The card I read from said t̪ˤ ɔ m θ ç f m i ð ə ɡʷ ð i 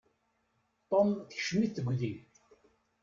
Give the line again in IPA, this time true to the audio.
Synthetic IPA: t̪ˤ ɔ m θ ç ʃ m i θ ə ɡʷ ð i